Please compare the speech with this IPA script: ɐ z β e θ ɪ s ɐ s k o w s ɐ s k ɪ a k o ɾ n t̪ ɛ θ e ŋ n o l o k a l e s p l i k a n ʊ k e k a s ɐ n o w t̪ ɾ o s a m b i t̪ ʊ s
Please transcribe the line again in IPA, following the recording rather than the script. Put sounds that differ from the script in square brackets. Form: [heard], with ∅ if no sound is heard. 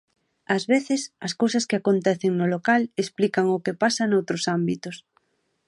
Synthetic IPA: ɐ z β e θ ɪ s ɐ s k o w s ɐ s k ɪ a k o [∅] n t̪ ɛ θ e ŋ n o l o k a l e s p l i k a [ŋ] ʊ k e [p] a s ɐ n o w t̪ ɾ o s a m b i t̪ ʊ s